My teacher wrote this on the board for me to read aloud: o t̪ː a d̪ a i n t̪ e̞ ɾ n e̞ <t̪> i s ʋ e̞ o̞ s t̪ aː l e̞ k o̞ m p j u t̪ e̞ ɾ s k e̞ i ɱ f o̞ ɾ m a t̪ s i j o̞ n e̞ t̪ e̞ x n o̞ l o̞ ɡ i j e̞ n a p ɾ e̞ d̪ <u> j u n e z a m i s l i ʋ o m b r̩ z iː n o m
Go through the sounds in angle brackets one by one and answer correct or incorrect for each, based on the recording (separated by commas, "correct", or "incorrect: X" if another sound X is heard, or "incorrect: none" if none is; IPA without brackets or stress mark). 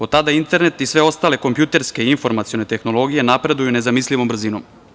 correct, correct